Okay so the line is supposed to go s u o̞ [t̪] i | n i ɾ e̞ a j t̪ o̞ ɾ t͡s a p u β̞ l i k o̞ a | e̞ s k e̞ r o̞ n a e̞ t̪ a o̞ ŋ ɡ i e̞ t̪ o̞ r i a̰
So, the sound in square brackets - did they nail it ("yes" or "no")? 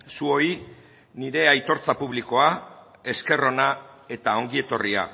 no